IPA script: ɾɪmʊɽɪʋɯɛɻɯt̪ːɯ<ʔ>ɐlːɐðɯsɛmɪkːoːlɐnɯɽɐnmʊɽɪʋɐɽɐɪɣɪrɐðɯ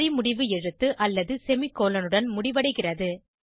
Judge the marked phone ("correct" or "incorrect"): correct